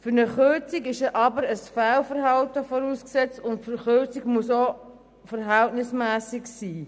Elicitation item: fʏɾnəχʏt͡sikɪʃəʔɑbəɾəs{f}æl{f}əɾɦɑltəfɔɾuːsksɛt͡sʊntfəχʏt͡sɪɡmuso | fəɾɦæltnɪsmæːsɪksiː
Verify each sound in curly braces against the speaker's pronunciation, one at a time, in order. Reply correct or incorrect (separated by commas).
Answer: correct, correct